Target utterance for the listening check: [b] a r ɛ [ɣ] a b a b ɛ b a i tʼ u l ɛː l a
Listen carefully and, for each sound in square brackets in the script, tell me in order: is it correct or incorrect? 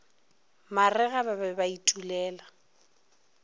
incorrect: m, correct

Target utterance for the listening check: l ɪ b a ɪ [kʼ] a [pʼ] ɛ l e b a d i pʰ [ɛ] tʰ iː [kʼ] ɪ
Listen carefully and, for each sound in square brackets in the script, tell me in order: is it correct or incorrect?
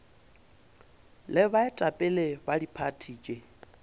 incorrect: tʼ, correct, incorrect: a, correct

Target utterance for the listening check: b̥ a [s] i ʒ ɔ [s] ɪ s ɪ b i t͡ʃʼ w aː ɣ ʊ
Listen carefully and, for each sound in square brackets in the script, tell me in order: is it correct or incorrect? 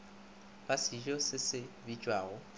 correct, correct

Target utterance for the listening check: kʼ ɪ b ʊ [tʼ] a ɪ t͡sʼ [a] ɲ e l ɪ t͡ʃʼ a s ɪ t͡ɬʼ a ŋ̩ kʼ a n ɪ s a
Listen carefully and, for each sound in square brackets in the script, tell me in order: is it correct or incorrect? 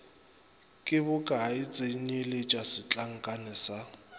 incorrect: kʼ, incorrect: e

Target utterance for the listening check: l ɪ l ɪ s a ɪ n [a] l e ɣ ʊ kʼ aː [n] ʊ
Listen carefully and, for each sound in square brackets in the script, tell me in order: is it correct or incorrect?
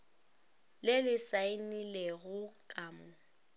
incorrect: i, incorrect: m

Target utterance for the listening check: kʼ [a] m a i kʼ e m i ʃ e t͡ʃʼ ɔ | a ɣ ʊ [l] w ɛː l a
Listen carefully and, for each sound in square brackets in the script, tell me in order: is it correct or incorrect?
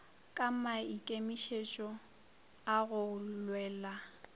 correct, correct

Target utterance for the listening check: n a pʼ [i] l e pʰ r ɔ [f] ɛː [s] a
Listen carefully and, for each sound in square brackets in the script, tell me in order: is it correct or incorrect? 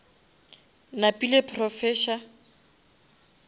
correct, correct, incorrect: ʃ

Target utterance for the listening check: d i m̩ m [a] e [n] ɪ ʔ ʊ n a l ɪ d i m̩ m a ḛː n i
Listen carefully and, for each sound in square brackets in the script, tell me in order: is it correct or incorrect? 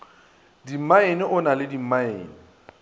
correct, correct

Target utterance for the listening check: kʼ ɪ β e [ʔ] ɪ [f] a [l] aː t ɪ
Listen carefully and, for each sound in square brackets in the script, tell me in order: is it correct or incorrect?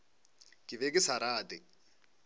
incorrect: k, incorrect: s, incorrect: ɾ

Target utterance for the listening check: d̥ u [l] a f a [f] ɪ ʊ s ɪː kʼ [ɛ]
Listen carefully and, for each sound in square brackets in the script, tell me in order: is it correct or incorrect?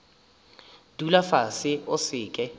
correct, incorrect: s, correct

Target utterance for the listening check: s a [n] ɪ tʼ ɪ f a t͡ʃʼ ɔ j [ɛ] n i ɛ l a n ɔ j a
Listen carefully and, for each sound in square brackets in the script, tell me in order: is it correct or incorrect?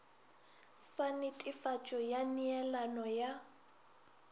correct, incorrect: a

